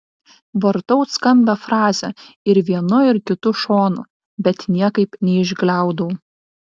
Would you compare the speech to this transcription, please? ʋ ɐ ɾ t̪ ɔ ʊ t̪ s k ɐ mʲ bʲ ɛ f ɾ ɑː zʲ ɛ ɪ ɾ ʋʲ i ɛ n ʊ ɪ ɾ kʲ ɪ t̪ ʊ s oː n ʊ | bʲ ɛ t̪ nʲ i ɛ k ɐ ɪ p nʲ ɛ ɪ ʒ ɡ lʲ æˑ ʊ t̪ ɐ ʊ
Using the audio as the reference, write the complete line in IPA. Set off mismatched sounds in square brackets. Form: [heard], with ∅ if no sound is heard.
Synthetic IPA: ʋ ɐ ɾ t̪ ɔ ʊ t̪ s k ɐ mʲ bʲ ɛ f ɾ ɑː zʲ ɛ ɪ ɾ ʋʲ i ɛ n ʊ ɪ ɾ kʲ ɪ t̪ ʊ [ʃ] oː n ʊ | bʲ ɛ t̪ nʲ i ɛ k ɐ ɪ p nʲ ɛ ɪ ʒ ɡ lʲ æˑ ʊ [d̪] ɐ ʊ